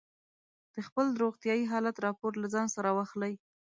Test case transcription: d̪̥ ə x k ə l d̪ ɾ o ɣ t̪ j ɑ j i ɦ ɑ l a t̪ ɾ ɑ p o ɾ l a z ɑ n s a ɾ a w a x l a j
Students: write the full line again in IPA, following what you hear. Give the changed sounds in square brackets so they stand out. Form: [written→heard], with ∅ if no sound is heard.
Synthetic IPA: d̪̥ ə x [k→p] ə l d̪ ɾ o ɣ t̪ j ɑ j i ɦ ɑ l a t̪ ɾ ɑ p o ɾ l a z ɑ n s a ɾ a w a x l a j